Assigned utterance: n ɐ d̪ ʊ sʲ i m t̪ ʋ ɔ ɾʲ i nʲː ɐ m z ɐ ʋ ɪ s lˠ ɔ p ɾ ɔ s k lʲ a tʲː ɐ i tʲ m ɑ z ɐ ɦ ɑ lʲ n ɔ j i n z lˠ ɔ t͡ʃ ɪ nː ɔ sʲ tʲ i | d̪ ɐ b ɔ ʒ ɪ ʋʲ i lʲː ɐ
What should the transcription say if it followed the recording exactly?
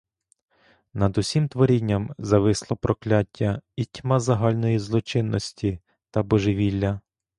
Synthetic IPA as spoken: n ɐ d̪ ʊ sʲ i m t̪ ʋ ɔ ɾʲ i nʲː ɐ m z ɐ ʋ ɪ s lˠ ɔ p ɾ ɔ k lʲ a tʲː ɐ i tʲ m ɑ z ɐ ɦ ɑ lʲ n ɔ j i z lˠ ɔ t͡ʃ ɪ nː ɔ sʲ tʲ i | t̪ ɐ b ɔ ʒ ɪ ʋʲ i lʲː ɐ